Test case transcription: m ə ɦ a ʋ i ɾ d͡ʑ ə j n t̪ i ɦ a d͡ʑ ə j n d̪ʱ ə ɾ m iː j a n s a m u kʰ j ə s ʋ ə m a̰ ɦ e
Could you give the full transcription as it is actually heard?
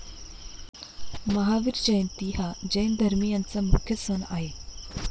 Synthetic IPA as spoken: m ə ɦ a ʋ i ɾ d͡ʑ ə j n t̪ i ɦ a d͡ʑ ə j n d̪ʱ ə ɾ m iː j a n t͡s a m u kʰ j ə s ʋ ə n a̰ ɦ e

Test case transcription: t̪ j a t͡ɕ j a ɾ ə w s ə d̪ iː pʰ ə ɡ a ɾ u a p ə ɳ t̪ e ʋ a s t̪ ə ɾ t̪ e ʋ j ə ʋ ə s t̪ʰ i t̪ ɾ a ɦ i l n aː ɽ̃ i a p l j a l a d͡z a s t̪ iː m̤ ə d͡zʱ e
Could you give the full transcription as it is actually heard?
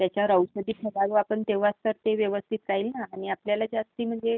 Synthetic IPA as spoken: t̪ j a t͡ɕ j a ɾ ə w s ə d̪ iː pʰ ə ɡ a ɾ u a p ə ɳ t̪ e ʋ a s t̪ ə ɾ t̪ e ʋ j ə ʋ ə s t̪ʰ i t̪ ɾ a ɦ i l n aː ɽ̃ i a p l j a l a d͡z a s t̪ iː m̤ ə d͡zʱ e

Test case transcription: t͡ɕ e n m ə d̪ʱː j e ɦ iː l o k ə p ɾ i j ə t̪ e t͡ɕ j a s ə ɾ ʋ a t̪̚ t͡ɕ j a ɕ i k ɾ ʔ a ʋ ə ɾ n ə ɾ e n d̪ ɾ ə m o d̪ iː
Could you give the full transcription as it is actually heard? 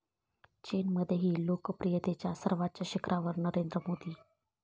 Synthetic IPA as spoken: t͡ɕ e n m ə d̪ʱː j e ɦ iː l o k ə p ɾ i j ə t̪ e t͡ɕ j a s ə ɾ ʋ a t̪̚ t͡ɕ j a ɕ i k ɾ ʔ a ʋ ə ɾ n ə ɾ e n d̪ ɾ ə m o d̪ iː

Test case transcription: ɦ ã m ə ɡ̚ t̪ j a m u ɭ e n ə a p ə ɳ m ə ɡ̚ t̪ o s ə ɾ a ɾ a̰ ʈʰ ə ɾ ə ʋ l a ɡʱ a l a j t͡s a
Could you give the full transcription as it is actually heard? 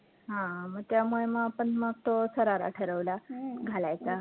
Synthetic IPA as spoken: ɦ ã m ə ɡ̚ t̪ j a m u ɭ e m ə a p ə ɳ m ə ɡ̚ t̪ o s ə ɾ a ɾ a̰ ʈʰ ə ɾ ə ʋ l a ɡʱ a l a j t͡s a

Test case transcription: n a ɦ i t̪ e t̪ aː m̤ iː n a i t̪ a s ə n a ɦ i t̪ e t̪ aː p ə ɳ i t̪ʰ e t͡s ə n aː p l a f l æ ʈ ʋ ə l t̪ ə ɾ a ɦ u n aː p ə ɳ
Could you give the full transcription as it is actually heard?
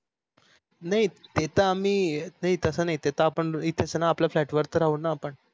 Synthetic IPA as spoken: n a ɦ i t̪ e t̪ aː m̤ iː n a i t̪ ə s ə n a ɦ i t̪ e t̪ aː p ə ɳ i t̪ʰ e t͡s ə n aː p l a f l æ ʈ ʋ ə ɾ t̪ ə ɾ a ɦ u n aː p ə ɳ

